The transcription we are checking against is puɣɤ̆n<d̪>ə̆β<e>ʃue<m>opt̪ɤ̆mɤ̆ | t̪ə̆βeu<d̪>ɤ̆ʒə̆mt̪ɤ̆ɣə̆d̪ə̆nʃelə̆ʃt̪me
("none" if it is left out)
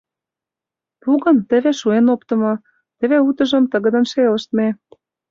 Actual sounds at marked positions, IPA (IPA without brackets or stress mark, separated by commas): t̪, e, n, t̪